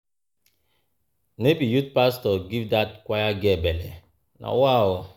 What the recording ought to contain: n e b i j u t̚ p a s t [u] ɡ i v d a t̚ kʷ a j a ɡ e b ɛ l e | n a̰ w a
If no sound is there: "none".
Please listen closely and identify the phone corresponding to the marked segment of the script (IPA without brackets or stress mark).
ɔ